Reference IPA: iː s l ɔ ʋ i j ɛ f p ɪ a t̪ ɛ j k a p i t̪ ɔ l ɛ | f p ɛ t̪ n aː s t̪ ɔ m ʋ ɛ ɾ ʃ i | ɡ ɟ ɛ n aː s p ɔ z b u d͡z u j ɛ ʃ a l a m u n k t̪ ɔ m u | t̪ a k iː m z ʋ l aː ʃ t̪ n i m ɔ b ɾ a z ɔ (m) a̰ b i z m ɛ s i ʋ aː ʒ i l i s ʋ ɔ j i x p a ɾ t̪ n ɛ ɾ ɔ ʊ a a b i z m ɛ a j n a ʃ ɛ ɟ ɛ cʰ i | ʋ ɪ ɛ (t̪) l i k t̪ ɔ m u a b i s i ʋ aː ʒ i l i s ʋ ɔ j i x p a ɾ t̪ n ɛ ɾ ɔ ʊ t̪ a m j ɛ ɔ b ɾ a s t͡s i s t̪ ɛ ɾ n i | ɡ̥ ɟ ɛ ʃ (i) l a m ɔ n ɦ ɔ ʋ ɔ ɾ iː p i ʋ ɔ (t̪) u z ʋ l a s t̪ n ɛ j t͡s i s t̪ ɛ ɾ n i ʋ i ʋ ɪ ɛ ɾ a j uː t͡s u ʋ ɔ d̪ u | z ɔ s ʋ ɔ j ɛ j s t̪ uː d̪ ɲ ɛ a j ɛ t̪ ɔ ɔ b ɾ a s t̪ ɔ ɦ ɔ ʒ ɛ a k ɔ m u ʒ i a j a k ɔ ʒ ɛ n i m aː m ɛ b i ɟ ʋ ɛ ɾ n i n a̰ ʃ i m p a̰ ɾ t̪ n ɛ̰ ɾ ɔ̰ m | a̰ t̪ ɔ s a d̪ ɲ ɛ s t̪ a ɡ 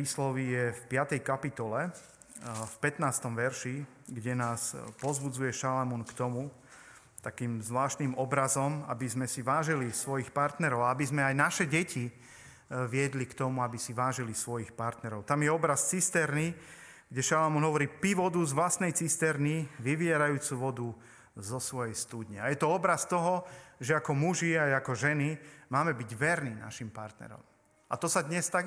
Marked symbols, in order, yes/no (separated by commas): yes, no, no, no